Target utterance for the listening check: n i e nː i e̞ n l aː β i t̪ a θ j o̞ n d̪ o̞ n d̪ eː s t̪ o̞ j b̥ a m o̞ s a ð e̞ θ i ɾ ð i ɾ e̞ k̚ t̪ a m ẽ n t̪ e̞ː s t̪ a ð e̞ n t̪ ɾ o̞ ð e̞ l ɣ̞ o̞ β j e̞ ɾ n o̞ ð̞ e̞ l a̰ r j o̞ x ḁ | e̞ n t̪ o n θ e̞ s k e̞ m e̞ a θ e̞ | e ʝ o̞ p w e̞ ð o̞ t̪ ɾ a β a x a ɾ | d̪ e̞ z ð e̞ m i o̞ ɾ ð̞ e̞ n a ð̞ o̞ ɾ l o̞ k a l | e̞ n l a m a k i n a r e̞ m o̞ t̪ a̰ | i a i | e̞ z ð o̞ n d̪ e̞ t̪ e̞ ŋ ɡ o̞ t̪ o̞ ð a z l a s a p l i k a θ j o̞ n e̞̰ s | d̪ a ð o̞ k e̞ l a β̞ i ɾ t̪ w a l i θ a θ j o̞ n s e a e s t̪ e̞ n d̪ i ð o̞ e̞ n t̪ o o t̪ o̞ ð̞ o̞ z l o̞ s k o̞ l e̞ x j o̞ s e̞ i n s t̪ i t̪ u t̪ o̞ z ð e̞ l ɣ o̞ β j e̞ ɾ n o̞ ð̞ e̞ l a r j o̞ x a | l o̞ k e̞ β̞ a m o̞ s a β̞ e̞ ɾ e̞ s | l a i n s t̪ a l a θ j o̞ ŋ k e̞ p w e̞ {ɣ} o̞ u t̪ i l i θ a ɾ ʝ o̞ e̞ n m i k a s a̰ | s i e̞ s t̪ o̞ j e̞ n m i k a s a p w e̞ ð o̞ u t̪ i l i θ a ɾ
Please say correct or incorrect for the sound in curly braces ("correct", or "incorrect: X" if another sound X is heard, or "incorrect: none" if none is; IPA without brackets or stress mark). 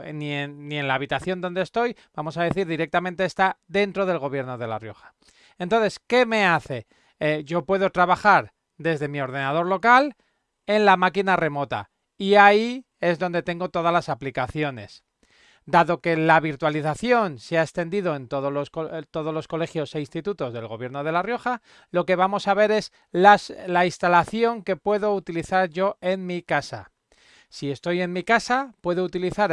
incorrect: ð